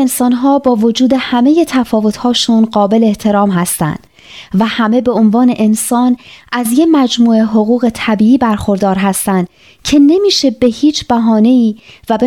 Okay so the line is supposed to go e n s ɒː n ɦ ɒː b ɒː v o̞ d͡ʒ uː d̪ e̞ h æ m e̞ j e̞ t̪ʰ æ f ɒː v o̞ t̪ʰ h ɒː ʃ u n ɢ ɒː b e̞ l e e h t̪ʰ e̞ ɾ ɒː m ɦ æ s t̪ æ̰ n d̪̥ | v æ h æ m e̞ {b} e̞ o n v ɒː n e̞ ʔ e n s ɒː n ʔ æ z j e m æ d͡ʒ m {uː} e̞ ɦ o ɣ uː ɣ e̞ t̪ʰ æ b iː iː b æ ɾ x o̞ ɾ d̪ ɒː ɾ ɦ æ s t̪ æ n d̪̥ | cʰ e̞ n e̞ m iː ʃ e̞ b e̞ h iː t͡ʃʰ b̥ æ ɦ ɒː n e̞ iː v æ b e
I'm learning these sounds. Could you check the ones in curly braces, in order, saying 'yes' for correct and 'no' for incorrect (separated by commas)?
yes, yes